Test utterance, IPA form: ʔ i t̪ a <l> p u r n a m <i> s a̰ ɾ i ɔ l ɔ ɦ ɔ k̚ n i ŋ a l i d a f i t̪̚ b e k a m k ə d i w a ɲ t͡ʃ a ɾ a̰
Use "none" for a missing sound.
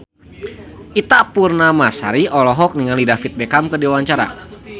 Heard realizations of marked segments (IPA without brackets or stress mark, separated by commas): none, a